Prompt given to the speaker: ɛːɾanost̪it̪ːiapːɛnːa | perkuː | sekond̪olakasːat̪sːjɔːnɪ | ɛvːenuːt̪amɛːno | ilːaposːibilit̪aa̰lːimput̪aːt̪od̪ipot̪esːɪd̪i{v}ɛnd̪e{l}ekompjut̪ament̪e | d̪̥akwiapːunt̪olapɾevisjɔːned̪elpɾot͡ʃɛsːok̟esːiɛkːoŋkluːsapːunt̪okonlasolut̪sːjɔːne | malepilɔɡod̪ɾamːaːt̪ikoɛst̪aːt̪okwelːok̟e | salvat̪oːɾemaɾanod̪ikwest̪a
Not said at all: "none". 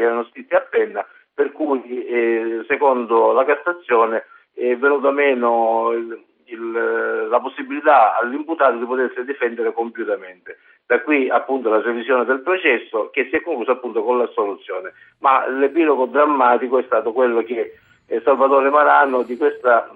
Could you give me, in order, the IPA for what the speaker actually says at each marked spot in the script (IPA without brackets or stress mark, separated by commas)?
f, ɾ